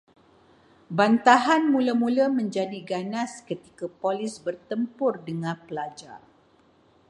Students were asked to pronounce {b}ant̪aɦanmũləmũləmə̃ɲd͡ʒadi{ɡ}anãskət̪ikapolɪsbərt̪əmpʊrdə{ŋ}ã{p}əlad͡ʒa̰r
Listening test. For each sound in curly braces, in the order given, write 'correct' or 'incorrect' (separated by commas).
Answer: correct, correct, correct, correct